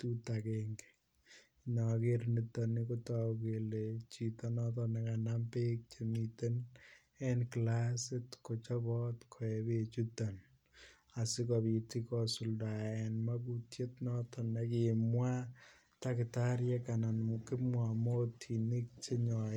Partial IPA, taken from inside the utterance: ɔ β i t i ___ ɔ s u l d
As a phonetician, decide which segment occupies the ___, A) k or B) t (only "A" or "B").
A